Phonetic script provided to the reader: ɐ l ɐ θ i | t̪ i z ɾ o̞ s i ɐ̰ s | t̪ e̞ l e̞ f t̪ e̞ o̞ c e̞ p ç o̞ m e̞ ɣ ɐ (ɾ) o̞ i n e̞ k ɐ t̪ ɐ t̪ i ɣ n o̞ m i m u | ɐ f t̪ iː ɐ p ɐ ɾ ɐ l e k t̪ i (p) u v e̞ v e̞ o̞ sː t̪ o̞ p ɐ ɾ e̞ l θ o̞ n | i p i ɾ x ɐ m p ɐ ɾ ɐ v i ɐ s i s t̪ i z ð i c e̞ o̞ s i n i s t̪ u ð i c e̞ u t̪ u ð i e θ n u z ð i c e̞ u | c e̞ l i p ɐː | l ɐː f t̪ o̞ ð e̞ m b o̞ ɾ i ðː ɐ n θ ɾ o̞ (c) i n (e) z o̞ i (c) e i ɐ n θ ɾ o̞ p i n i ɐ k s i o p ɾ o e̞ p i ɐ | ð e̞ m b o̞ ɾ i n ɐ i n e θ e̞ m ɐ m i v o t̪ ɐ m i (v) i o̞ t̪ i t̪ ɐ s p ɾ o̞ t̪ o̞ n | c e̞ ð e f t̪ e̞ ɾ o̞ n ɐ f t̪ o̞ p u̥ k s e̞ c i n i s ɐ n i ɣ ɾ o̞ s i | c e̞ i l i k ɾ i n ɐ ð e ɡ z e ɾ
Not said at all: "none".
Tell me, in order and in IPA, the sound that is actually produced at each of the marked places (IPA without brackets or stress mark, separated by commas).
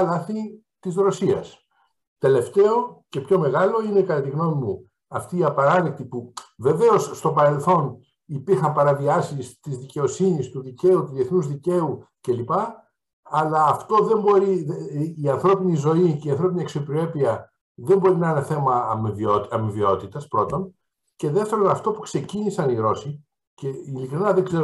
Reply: l, p, p, i, c, v